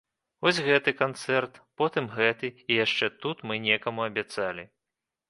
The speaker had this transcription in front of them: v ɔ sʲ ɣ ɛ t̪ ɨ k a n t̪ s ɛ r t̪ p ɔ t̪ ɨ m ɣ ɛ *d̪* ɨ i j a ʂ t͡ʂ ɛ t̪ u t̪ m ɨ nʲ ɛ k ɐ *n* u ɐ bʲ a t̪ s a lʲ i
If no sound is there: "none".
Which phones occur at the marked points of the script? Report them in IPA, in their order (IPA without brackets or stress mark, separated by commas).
t̪, m